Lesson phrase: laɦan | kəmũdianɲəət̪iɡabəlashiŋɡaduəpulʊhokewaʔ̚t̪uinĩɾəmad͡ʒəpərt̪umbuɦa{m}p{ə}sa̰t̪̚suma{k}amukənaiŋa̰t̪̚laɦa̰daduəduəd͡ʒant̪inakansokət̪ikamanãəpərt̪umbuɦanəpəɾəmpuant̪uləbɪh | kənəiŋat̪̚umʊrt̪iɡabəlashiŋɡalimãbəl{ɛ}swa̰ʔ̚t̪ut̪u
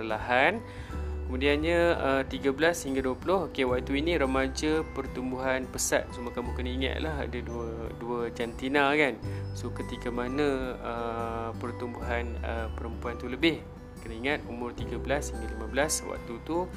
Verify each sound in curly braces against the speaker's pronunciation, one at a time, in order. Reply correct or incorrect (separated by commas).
incorrect, correct, correct, incorrect